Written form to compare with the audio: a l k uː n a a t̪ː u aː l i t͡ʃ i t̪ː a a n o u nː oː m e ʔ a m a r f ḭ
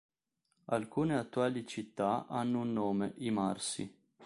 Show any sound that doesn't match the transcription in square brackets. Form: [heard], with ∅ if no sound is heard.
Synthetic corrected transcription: a l k uː n [e] a t̪ː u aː l i t͡ʃ i t̪ː a a [nː] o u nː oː m e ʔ [i] m a r [s] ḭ

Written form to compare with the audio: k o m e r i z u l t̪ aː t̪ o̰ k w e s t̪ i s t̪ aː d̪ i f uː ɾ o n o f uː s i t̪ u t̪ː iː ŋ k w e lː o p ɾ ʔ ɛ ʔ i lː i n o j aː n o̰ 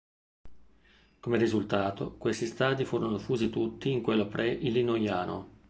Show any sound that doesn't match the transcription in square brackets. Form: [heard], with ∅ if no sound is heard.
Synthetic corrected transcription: k o m e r i z u l t̪ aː t̪ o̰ k w e s t̪ i s t̪ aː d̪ i f uː ɾ o n o f uː [z] i t̪ u t̪ː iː ŋ k w e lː o p ɾ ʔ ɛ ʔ i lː i n o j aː n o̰

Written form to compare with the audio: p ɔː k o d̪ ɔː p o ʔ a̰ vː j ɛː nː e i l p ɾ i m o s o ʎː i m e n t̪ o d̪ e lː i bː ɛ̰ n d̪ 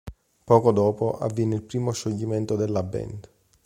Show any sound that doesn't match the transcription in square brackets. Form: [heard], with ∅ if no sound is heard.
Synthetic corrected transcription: p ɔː k o d̪ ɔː p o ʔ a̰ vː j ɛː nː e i l p ɾ [iː] m o [ʃ] o ʎː i m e n t̪ o d̪ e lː [a] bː ɛ̰ n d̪

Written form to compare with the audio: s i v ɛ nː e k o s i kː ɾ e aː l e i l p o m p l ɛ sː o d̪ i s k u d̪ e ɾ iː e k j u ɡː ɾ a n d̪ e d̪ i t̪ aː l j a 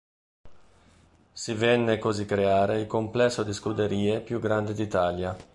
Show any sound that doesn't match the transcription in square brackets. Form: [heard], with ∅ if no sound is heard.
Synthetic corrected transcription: s i v ɛ nː e k o [z] i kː ɾ e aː [ɾ] e i l [k] o m p l ɛ sː o d̪ i s k u d̪ e ɾ iː e [p] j u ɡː ɾ a n d̪ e d̪ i t̪ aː l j a

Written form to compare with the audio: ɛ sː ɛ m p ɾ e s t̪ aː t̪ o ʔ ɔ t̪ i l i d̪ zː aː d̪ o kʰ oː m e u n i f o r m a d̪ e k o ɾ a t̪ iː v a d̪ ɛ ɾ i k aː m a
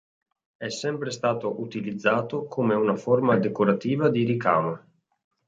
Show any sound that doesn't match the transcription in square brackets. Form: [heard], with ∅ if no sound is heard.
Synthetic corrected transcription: ɛ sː ɛ m p ɾ e s t̪ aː t̪ o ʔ [u] t̪ i l i d̪ zː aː [t̪] o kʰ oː m e u n [a] f o r m a d̪ e k o ɾ a t̪ iː v a d̪ [i] ɾ i k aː m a

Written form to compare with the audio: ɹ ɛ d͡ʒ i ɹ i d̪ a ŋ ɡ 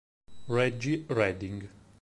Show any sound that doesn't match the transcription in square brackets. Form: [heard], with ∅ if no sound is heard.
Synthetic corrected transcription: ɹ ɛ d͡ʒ i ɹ [ɛ] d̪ [i] ŋ ɡ

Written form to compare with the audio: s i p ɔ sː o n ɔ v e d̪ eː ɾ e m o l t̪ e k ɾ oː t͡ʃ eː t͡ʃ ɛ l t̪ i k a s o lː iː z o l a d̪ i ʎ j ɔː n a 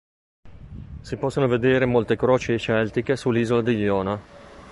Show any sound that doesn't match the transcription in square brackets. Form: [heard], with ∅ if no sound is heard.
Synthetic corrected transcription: s i p ɔ sː o n [o] v e d̪ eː ɾ e m o l t̪ e k ɾ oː t͡ʃ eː t͡ʃ ɛ l t̪ i k [e] s [u] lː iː z o l a d̪ i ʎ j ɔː n a

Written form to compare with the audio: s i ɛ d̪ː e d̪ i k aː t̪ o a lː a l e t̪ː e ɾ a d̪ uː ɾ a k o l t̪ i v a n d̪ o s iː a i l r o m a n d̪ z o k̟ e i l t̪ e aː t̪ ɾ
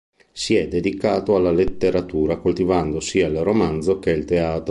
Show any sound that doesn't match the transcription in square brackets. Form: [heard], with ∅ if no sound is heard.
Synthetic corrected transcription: s i ɛ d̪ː e d̪ i k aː t̪ o a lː a l e t̪ː e ɾ a [t̪] uː ɾ a k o l t̪ i v a n d̪ o s iː a i l r o m a n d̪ z o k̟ e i l t̪ e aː t̪ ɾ

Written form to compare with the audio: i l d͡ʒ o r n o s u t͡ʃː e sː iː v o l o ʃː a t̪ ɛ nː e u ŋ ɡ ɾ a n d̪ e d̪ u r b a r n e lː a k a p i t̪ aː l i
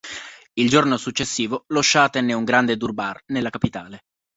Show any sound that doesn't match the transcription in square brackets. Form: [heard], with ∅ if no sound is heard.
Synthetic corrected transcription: i l d͡ʒ o r n o s u t͡ʃː e sː iː v o l o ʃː a t̪ ɛ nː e u ŋ ɡ ɾ a n d̪ e d̪ u r b a r n e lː a k a p i t̪ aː l [e]

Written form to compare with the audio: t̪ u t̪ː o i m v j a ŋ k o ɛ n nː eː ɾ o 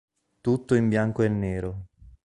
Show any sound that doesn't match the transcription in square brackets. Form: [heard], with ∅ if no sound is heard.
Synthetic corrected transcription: t̪ u t̪ː o i m [b] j a ŋ k o ɛ n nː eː ɾ o

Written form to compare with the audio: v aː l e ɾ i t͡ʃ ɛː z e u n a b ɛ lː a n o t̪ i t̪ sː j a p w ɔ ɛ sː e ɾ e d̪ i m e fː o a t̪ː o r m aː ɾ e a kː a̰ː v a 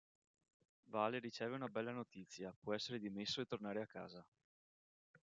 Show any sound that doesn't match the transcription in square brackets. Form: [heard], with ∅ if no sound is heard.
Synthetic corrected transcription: v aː l e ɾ i t͡ʃ ɛː [v] e u n a b ɛ lː a n o t̪ i t̪ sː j a p w ɔ ɛ sː e ɾ e d̪ i m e [sː] o [e] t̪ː o r [n] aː ɾ e a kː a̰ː [z] a

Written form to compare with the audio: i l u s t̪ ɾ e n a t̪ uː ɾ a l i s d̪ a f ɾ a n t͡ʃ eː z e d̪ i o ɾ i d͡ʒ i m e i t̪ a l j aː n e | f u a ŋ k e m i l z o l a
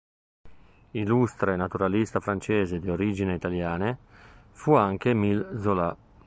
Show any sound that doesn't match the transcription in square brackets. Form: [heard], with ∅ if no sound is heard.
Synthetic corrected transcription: i l u s t̪ ɾ e n a t̪ [u] ɾ a l i s [t̪] a f ɾ a n t͡ʃ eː z e d̪ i o ɾ i d͡ʒ i [n] e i t̪ a l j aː n e | f u a ŋ k e m i l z o l a

